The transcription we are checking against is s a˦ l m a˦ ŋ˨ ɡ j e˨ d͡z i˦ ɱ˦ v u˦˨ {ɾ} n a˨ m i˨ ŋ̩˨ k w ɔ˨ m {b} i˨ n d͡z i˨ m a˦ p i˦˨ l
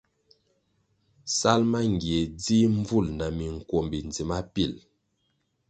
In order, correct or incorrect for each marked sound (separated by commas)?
incorrect, correct